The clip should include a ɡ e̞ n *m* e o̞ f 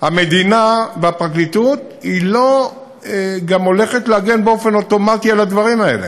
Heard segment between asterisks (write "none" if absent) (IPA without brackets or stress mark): b